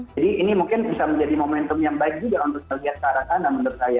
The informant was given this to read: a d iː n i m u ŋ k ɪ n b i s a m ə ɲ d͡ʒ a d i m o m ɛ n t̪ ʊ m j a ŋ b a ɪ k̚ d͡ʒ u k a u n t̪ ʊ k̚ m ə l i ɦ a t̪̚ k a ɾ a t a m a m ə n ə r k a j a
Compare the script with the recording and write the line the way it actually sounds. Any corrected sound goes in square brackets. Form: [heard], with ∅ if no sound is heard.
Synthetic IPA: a d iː n i m u ŋ k ɪ n b i s a m ə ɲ d͡ʒ a d i m o m ɛ n t̪ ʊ m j a ŋ b a ɪ k̚ d͡ʒ u [ɡ] a u n t̪ ʊ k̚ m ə l i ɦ a t̪̚ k a ɾ a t a [n] a m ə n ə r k a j a